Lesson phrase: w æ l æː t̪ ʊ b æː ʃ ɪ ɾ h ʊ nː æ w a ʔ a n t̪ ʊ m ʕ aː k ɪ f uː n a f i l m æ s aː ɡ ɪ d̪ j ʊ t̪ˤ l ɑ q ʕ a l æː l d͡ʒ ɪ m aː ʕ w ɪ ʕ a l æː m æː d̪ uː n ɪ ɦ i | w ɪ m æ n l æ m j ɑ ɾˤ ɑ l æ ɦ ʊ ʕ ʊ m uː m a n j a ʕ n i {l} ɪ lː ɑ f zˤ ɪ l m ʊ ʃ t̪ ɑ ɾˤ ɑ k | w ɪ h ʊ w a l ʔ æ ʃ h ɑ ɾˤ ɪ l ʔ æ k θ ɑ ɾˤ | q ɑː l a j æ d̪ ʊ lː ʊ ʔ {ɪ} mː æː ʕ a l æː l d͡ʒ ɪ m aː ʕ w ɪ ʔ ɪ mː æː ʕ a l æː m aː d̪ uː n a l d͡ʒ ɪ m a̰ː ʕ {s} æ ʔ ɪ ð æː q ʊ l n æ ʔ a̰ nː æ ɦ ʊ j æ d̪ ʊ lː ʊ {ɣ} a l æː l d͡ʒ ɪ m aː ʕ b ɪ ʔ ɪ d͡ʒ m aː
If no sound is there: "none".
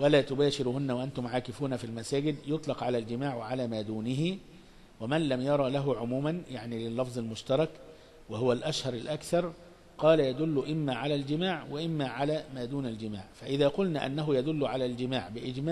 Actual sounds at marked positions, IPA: l, ɪ, f, ʕ

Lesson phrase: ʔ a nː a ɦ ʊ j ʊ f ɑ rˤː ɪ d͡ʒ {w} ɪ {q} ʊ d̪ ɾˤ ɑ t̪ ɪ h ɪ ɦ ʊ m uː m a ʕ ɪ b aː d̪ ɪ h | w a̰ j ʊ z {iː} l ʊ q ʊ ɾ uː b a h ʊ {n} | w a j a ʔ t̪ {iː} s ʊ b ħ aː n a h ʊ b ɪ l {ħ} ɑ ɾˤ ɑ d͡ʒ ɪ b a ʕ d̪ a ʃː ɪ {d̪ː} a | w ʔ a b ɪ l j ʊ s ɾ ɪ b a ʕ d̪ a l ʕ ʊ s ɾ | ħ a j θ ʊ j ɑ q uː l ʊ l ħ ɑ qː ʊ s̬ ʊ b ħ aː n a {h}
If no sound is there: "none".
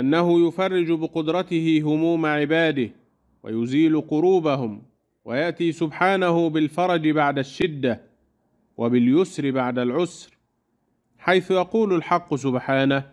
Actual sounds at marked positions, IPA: b, q, iː, m, iː, f, d̪ː, h

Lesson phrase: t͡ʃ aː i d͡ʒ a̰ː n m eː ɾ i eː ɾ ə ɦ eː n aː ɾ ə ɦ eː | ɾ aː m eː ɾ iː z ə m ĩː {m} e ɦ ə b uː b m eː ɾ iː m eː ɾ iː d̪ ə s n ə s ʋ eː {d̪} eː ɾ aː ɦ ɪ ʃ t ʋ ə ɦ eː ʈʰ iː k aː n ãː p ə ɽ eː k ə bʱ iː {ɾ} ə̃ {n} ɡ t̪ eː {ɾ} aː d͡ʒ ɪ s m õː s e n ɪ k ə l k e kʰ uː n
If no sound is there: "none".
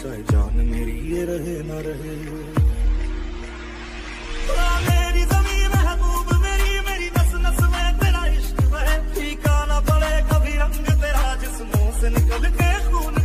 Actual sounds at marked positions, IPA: m, t̪, ɾ, ŋ, ɾ

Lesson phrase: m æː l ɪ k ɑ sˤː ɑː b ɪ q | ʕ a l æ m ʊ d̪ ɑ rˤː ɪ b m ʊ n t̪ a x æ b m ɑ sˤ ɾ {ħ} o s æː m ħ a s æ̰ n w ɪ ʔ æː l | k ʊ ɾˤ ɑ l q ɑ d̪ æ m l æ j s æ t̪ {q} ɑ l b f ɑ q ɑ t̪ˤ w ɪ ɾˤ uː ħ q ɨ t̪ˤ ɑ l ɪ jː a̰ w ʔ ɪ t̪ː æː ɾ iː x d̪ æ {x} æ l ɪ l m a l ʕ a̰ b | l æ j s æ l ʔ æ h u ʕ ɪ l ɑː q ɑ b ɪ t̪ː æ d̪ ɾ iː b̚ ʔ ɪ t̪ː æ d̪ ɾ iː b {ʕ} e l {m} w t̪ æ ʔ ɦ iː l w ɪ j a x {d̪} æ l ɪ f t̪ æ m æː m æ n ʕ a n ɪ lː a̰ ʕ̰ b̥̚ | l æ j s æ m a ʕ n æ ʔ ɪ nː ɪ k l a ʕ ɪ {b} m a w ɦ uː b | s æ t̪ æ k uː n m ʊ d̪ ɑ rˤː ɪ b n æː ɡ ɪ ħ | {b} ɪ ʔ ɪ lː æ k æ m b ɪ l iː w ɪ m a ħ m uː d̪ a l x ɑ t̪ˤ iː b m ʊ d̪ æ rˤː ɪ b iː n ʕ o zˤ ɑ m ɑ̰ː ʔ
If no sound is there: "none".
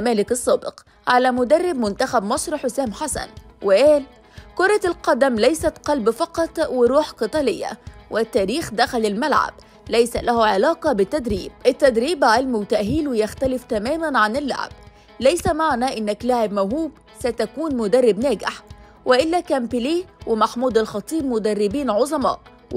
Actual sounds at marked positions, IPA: ħ, q, x, ʕ, m, t̪, b, w

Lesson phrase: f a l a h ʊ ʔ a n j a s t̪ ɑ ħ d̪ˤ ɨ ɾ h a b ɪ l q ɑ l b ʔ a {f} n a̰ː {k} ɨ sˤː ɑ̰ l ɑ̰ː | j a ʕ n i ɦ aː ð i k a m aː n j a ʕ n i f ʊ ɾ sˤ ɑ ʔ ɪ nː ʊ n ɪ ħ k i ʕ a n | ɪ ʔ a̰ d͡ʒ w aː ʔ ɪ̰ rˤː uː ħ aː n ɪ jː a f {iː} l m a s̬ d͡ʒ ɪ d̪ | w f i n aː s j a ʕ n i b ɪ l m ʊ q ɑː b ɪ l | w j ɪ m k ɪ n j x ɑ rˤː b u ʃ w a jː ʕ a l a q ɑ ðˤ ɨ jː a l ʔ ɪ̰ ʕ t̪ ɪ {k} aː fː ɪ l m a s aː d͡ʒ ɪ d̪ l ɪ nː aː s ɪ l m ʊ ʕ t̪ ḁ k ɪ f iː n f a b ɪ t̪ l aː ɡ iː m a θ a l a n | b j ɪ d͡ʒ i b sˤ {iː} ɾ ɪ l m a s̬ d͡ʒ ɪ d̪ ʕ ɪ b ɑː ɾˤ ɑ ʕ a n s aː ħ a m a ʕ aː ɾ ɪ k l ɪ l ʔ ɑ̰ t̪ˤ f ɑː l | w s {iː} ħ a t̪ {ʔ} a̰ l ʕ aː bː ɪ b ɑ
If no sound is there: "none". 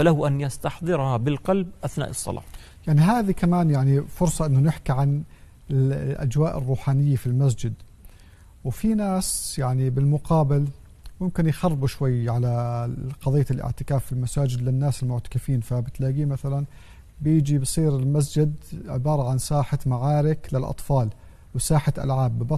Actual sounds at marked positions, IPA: θ, ʔ, i, k, iː, aː, ʔ

